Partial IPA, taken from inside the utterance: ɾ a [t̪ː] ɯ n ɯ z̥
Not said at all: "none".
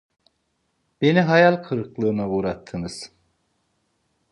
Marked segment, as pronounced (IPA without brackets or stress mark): t̪ʰː